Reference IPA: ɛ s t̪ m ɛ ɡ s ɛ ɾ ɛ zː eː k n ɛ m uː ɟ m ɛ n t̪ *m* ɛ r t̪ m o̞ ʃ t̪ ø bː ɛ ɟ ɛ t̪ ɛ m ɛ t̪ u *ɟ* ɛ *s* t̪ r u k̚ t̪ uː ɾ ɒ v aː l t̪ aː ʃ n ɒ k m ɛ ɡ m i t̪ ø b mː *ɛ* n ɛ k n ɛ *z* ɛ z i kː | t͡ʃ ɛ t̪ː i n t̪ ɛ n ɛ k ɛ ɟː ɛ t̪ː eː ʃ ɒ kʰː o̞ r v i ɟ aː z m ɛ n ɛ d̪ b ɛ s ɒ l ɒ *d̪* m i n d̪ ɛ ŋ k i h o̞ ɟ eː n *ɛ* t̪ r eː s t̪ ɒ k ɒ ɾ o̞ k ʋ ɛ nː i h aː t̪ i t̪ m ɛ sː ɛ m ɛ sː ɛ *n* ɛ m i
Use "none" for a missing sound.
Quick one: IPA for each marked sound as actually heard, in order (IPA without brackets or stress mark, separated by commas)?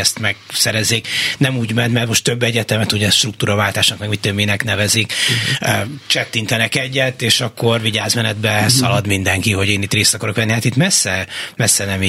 m, ɟ, ʃ, i, v, d̪, i, n